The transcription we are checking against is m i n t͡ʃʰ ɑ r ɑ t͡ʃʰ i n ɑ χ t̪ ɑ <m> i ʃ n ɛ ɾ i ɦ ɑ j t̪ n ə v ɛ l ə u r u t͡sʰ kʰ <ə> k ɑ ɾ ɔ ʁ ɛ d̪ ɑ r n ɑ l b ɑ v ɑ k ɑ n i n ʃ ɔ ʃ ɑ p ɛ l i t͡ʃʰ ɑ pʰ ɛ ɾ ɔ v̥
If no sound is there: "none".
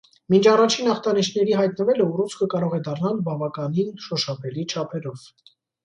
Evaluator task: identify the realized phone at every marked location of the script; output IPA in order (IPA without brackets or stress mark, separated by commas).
n, ə